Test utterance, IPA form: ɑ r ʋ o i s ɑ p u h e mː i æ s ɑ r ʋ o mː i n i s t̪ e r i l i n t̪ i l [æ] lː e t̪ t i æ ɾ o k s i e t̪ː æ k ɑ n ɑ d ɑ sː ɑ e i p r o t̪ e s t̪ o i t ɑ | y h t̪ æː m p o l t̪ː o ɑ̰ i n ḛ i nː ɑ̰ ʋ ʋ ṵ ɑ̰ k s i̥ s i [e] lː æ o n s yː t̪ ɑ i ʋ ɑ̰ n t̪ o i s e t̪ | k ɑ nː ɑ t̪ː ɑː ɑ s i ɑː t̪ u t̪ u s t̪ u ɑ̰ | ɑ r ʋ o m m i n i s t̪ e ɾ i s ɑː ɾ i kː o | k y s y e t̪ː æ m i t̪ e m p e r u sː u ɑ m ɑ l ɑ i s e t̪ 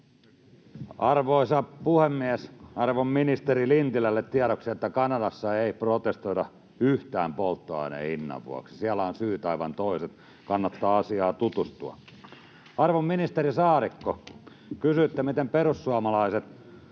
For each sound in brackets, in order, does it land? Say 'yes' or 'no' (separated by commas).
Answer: yes, no